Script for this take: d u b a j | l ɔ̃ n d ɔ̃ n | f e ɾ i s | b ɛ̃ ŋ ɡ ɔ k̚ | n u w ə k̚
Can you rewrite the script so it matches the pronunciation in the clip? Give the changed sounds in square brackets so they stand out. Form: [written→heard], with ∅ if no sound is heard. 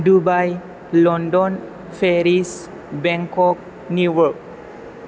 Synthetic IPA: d u b a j | l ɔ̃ n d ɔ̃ n | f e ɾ i s | b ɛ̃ ŋ [ɡ→k] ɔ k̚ | n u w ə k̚